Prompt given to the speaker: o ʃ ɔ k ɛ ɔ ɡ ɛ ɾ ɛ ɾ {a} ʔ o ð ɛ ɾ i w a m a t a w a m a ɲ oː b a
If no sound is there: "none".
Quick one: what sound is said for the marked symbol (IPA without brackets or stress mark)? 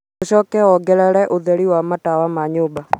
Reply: ɛ